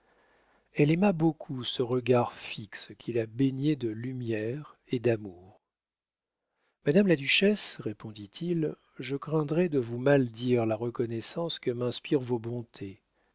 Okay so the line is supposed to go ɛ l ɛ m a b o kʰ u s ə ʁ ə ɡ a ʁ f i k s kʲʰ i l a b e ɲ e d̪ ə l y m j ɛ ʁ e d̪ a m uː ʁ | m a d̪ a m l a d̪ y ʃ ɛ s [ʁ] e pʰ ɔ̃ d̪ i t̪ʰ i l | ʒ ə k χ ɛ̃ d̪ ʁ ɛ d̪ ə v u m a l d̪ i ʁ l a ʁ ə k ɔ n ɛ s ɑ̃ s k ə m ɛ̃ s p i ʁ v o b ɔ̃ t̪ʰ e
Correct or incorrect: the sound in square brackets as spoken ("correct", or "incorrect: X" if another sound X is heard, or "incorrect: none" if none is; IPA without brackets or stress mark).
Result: correct